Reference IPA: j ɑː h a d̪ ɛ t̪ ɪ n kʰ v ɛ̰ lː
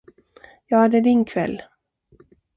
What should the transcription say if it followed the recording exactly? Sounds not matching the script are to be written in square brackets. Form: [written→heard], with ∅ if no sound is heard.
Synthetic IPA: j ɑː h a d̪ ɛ [t̪→d̪] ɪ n kʰ v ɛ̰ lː

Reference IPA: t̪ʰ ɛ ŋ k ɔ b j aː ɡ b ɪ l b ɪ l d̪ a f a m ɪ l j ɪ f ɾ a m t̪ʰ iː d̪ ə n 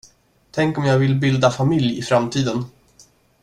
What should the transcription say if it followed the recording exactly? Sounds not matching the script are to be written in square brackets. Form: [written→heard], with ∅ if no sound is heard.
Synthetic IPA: t̪ʰ ɛ ŋ k ɔ [b→m] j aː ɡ [b→v] ɪ l b ɪ l d̪ a f a m ɪ l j ɪ f ɾ a m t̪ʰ iː d̪ ə n

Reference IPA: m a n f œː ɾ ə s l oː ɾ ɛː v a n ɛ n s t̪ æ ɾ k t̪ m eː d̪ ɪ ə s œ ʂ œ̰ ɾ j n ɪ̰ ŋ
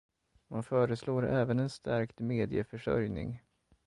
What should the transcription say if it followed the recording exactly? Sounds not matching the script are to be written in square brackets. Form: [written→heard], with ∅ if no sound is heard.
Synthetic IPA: m a n f œː ɾ ə s l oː ɾ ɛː v [a→ə] n ɛ n s t̪ æ ɾ k t̪ m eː d̪ ɪ ə [s→f] œ ʂ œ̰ ɾ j n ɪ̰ ŋ

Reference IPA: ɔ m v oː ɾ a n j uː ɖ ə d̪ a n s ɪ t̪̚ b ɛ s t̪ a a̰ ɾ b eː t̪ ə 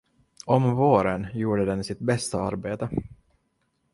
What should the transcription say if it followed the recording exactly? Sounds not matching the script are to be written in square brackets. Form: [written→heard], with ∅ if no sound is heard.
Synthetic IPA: ɔ m v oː ɾ [a→ə] n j uː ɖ ə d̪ [a→ɛ] n s ɪ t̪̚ b ɛ s t̪ a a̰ ɾ b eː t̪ ə

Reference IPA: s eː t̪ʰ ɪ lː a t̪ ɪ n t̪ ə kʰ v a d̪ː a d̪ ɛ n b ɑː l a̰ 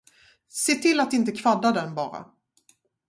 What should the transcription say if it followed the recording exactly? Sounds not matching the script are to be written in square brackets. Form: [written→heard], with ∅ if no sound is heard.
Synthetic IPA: s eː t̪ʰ ɪ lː a t̪ ɪ n t̪ ə kʰ v a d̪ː a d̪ ɛ n b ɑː [l→ɾ] a̰

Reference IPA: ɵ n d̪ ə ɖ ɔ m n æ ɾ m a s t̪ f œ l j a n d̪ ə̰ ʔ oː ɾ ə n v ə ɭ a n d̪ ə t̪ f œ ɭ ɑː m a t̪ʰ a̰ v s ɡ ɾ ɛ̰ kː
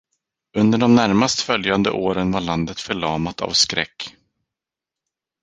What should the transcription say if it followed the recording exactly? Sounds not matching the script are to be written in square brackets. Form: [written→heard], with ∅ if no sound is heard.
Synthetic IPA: ɵ n d̪ ə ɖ ɔ m n æ ɾ m a s t̪ f œ l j a n d̪ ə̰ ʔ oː ɾ ə n v [ə→a] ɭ a n d̪ ə t̪ f œ ɭ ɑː m a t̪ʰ a̰ v s [ɡ→k] ɾ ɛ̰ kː

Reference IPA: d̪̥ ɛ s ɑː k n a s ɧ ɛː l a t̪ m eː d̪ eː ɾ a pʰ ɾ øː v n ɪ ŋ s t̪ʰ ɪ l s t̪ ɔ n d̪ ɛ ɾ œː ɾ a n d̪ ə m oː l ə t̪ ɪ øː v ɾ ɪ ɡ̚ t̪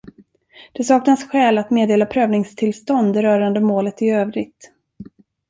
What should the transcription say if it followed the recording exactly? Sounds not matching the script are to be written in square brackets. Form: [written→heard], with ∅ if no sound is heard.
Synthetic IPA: d̪̥ ɛ s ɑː k n a s ɧ ɛː l a t̪ m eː d̪ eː [ɾ→l] a pʰ ɾ øː v n ɪ ŋ s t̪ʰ ɪ l s t̪ ɔ n d̪ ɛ ɾ œː ɾ a n d̪ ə m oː l ə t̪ ɪ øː v ɾ ɪ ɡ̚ t̪

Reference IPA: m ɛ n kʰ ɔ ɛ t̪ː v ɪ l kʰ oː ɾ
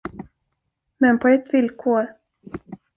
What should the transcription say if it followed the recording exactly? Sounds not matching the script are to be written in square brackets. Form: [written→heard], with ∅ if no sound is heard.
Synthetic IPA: m ɛ n [kʰ→pʰ] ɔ ɛ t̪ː v ɪ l kʰ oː ɾ

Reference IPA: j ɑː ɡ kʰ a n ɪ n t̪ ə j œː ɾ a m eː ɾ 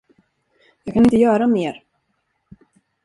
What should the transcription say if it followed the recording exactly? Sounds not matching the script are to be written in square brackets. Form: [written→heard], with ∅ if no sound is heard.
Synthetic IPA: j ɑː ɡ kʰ a n ɪ n t̪ ə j œː ɾ a m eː ɾ

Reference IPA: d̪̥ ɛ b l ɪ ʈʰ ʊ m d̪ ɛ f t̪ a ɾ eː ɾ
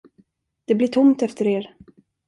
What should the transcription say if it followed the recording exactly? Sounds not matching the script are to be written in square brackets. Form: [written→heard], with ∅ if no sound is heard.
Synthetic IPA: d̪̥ ɛ b l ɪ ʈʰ ʊ m [d̪→t̪] ɛ f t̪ [a→ə] ɾ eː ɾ

